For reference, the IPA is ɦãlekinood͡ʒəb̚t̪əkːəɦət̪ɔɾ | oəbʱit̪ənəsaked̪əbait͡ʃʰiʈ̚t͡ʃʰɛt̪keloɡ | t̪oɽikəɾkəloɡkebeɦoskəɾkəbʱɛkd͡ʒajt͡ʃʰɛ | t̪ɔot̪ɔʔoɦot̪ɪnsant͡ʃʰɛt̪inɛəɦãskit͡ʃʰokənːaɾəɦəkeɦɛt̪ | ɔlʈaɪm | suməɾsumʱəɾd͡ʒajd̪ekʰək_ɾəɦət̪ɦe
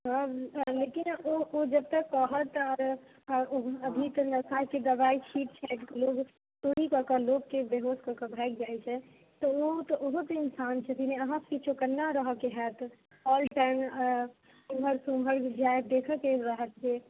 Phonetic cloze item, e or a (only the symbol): e